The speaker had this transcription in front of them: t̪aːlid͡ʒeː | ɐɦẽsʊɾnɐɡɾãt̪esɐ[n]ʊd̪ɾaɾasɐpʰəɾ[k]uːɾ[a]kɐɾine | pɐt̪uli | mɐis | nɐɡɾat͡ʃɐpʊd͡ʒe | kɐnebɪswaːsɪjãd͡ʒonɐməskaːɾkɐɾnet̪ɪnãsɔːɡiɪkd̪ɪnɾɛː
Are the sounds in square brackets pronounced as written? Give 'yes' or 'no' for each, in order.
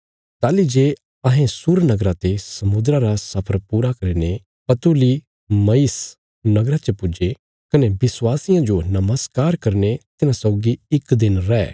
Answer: no, no, yes

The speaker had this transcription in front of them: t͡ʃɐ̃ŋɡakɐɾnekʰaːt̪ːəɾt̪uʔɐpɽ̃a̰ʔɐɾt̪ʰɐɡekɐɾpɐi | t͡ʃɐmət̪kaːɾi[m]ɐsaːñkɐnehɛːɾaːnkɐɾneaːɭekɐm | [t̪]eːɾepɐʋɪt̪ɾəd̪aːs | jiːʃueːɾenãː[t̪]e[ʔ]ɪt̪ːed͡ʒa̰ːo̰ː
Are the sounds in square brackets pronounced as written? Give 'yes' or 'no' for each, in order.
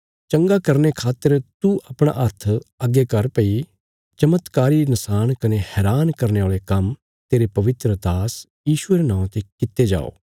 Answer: no, yes, yes, no

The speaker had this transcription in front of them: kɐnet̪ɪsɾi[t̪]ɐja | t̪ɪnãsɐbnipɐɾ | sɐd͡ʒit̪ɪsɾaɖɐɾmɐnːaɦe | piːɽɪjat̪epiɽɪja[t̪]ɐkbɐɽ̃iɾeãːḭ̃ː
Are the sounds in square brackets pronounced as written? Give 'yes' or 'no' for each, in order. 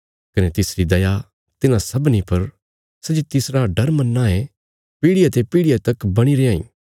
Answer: no, yes

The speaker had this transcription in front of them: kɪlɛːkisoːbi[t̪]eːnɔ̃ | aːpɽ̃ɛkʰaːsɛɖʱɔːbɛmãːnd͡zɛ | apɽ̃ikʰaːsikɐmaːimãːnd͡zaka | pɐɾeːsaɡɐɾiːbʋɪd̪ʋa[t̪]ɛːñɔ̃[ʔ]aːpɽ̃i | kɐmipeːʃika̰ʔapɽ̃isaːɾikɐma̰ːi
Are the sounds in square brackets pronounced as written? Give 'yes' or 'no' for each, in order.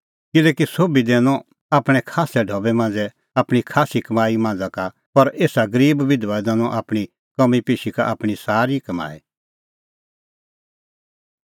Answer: no, no, yes

